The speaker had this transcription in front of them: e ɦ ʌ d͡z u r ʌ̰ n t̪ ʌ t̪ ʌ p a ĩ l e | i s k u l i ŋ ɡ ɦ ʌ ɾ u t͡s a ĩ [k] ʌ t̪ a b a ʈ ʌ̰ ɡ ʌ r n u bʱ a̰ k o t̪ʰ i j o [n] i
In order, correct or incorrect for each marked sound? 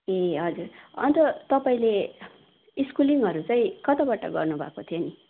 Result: correct, correct

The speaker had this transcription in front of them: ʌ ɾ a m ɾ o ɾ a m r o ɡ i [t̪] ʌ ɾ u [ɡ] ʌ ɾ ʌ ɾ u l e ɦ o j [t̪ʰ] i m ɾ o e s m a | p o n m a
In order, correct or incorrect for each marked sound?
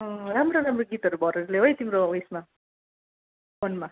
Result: correct, incorrect: b, incorrect: t̪

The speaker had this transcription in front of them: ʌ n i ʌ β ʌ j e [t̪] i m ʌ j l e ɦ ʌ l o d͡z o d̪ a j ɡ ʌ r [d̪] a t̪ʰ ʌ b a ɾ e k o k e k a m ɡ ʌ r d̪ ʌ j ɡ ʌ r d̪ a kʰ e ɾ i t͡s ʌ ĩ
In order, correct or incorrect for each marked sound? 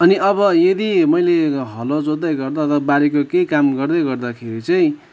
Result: incorrect: d̪, correct

